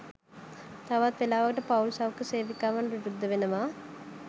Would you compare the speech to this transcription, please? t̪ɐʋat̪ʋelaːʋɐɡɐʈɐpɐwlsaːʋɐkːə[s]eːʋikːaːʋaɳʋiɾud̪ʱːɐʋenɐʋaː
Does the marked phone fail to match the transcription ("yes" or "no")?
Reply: no